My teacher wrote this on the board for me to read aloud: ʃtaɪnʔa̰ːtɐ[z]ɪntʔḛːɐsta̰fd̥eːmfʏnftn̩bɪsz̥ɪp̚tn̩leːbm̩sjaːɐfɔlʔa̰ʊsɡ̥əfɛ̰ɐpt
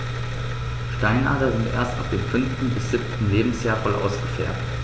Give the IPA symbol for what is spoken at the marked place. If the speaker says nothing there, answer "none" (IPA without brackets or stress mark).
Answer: z